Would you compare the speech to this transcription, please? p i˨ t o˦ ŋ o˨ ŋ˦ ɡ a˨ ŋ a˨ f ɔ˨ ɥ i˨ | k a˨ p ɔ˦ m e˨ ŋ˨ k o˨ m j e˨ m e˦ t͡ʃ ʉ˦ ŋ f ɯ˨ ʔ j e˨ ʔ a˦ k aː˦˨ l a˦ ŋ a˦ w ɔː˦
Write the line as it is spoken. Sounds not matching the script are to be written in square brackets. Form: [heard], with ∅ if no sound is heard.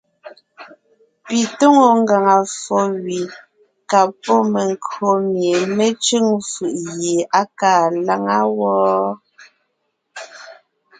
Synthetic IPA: p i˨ t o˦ ŋ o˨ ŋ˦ ɡ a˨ ŋ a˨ f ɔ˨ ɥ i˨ | k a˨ p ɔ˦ m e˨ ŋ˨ k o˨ m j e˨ m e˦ t͡ʃ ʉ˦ ŋ f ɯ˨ ʔ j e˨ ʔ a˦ k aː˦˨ l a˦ ŋ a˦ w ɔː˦